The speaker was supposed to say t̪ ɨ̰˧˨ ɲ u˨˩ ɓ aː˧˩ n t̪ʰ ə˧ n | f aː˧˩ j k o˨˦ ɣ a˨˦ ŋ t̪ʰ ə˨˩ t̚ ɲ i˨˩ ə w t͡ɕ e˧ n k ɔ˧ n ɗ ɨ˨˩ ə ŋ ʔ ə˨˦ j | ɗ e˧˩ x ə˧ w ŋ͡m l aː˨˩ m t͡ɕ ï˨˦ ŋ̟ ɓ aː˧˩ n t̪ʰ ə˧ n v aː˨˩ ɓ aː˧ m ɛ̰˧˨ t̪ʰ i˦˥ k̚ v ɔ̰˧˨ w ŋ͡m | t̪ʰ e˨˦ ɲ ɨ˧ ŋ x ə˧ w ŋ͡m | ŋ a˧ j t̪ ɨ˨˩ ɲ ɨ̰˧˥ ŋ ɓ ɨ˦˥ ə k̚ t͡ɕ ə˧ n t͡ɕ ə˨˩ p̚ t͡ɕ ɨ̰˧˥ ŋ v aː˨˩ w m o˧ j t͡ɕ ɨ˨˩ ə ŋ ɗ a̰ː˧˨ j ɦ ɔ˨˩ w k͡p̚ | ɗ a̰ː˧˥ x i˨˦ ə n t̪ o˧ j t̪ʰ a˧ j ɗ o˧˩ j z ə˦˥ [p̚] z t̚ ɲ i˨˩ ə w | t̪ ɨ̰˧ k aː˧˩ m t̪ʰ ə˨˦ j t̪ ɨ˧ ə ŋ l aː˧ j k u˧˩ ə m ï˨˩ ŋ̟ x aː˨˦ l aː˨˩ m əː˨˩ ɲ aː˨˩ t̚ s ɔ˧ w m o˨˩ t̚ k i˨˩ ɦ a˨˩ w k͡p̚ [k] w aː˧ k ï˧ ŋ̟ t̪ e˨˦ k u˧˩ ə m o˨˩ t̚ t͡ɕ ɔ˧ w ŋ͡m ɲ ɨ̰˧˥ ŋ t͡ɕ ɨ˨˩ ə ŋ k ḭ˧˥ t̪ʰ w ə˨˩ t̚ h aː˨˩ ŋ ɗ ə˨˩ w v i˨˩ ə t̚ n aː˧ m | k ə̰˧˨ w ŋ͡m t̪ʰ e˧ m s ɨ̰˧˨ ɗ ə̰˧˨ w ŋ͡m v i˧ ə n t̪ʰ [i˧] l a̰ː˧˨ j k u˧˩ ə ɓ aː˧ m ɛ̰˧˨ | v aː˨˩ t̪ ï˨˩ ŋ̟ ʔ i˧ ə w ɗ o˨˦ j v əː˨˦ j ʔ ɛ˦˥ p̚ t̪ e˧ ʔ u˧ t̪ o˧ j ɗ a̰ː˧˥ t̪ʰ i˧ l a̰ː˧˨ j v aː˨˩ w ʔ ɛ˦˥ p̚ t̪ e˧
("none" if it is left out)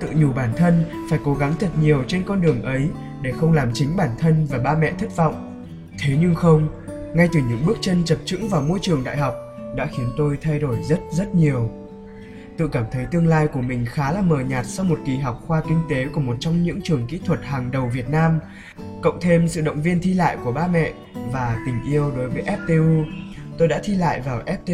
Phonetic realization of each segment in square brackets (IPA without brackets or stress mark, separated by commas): t̚, x, i˧